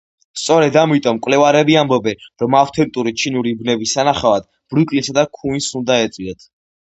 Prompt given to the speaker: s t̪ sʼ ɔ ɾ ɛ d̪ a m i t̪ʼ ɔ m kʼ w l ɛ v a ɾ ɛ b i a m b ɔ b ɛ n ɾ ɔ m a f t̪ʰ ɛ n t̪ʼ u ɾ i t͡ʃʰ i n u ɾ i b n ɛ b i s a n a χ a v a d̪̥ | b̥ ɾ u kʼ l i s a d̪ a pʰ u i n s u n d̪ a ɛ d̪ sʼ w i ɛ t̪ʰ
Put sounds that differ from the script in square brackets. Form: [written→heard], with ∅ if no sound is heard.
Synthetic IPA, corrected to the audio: s t̪ sʼ ɔ ɾ ɛ d̪ a m i t̪ʼ ɔ m kʼ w l ɛ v a ɾ ɛ b i a m b ɔ b ɛ n ɾ ɔ m a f t̪ʰ ɛ n t̪ʼ u ɾ i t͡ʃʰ i n u ɾ i b n ɛ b i s a n a χ a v a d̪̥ | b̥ ɾ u kʼ l i s a d̪ a [pʰ→kʰ] u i n s u n d̪ a ɛ [d̪→t̪] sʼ w i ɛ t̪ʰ

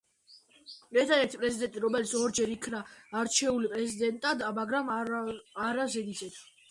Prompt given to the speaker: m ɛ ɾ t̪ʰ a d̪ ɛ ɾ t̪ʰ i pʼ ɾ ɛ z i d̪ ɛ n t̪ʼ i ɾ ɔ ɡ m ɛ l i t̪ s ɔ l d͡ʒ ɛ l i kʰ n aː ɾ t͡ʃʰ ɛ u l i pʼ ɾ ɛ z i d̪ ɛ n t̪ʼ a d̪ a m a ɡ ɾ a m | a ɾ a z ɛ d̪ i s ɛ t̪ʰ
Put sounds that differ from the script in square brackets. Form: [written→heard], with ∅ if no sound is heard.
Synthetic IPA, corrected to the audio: m ɛ ɾ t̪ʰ a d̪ ɛ ɾ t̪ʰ i pʼ ɾ ɛ z i d̪ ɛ n t̪ʼ i ɾ ɔ [ɡ→∅] m ɛ l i t̪ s ɔ [l→ɾ] d͡ʒ ɛ [l→ɾ] i kʰ n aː ɾ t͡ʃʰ ɛ u l i pʼ ɾ ɛ z i d̪ ɛ n t̪ʼ a d̪ a m a ɡ ɾ a m | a ɾ a z ɛ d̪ i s ɛ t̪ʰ

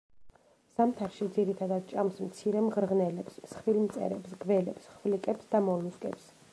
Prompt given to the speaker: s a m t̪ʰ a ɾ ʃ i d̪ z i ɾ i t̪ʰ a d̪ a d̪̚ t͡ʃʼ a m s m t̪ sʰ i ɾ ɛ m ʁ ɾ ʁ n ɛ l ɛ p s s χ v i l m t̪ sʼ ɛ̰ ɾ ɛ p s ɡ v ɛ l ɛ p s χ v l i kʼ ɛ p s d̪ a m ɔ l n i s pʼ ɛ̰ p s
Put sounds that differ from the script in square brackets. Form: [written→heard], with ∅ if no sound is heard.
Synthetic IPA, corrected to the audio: s a m t̪ʰ a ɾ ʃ i d̪ z i ɾ i t̪ʰ a d̪ a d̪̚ t͡ʃʼ a m s m t̪ sʰ i ɾ ɛ m ʁ ɾ ʁ n ɛ l ɛ p s s χ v i l m t̪ sʼ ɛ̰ ɾ ɛ p s ɡ v ɛ l ɛ p s χ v l i kʼ ɛ p s d̪ a m ɔ l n i s [pʼ→kʼ] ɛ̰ p s

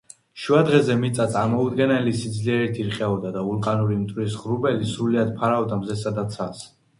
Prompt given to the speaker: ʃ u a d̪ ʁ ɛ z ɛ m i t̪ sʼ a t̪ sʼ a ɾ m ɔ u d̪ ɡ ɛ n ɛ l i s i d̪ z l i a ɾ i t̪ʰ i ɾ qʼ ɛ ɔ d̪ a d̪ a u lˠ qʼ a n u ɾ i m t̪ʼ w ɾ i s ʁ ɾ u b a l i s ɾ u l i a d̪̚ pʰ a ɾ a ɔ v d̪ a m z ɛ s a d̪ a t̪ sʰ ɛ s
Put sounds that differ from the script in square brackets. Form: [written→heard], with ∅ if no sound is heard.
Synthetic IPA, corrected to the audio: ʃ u a d̪ ʁ ɛ z ɛ m i t̪ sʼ a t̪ sʼ a ɾ m ɔ u d̪ ɡ ɛ n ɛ l i s i d̪ z l i [a→ɛ] ɾ i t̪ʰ i ɾ qʼ ɛ ɔ d̪ a d̪ a u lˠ qʼ a n u ɾ i m t̪ʼ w ɾ i s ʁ ɾ u b [a→ɛ] l i s ɾ u l i a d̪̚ pʰ a ɾ a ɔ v d̪ a m z ɛ s a d̪ a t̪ sʰ [ɛ→a] s

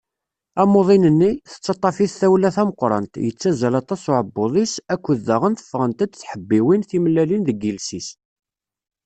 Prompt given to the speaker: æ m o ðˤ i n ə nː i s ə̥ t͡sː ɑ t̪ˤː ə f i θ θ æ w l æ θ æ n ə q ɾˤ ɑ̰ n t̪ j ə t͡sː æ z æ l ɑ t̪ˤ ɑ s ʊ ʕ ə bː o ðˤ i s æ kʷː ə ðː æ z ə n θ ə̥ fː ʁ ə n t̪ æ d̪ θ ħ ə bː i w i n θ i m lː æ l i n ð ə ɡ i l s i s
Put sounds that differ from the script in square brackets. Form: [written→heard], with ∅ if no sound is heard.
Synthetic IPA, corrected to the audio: æ m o ðˤ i n ə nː i [s→θ] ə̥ t͡sː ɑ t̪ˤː [ə→ɑ] f i θ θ æ w l æ θ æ [n→m] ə q ɾˤ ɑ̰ n t̪ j ə t͡sː æ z æ l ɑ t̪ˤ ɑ s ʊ ʕ ə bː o ðˤ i s æ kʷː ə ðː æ [z→ʁ] ə n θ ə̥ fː ʁ ə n t̪ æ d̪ θ ħ ə bː i w i n θ i m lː æ l i n ð ə ɡ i l s i s

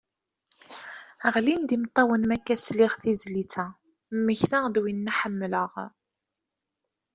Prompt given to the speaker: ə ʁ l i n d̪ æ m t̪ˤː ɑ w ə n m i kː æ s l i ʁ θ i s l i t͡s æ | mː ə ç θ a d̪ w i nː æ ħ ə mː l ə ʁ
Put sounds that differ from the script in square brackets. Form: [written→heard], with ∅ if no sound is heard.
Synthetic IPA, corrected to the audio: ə ʁ l i n d̪ [æ→i] m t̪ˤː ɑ w ə n m [i→æ] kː æ s l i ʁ θ i [s→z] l i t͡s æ | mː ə ç θ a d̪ w i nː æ ħ ə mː l ə ʁ

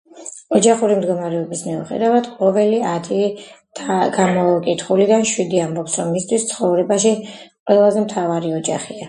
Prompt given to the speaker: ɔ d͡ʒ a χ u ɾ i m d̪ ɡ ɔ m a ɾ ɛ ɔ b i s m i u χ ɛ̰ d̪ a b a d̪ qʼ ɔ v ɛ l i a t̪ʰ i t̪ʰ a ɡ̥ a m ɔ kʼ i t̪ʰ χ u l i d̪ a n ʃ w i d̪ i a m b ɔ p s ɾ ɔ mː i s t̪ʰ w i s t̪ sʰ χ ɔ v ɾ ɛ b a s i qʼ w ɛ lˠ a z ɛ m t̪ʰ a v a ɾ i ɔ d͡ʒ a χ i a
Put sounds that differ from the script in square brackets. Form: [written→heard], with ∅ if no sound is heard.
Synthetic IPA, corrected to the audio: ɔ d͡ʒ a χ u ɾ i m d̪ ɡ ɔ m a ɾ ɛ ɔ b i s m i u χ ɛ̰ d̪ a [b→v] a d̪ qʼ ɔ v ɛ l i a t̪ʰ i t̪ʰ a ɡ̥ a m ɔ kʼ i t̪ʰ χ u l i d̪ a n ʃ w i d̪ i a m b ɔ p s ɾ ɔ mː i s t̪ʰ w i s t̪ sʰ χ ɔ v ɾ ɛ b a [s→ʃ] i qʼ w ɛ lˠ a z ɛ m t̪ʰ a v a ɾ i ɔ d͡ʒ a χ i a

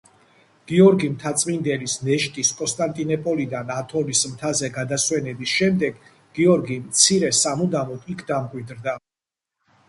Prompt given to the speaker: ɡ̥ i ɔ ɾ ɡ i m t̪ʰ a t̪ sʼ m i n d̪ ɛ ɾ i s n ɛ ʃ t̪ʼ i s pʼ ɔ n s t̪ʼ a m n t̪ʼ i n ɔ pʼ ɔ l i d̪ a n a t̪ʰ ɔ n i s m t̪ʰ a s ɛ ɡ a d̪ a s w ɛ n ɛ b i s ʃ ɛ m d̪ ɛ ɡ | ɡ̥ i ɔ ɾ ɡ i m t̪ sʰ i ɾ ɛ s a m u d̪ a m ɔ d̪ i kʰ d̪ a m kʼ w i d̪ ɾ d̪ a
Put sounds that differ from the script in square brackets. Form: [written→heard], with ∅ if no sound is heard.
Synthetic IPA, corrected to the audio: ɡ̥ i ɔ ɾ ɡ i m t̪ʰ a t̪ sʼ m i n d̪ ɛ [ɾ→l] i s n ɛ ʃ t̪ʼ i s [pʼ→kʼ] ɔ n s t̪ʼ a [m→∅] n t̪ʼ i n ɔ pʼ ɔ l i d̪ a n a t̪ʰ ɔ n i s m t̪ʰ a [s→z] ɛ ɡ a d̪ a s w ɛ n ɛ b i s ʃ ɛ m d̪ ɛ ɡ | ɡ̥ i ɔ ɾ ɡ i m t̪ sʰ i ɾ ɛ s a m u d̪ a m ɔ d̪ i kʰ d̪ a m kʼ w i d̪ ɾ d̪ a

